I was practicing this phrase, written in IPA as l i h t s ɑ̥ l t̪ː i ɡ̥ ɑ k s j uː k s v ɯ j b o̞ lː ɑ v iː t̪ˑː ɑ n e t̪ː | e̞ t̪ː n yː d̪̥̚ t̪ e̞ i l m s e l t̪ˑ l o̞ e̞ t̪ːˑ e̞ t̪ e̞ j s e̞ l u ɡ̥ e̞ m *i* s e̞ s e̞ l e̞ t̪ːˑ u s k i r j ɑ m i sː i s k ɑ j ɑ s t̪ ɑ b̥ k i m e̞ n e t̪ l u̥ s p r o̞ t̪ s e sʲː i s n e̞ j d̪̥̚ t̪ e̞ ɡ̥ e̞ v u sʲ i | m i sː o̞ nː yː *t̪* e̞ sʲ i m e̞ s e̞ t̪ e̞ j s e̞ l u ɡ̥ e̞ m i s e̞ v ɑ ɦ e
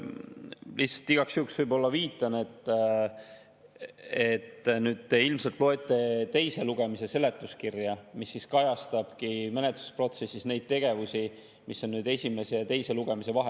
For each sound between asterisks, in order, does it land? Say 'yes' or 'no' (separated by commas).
yes, no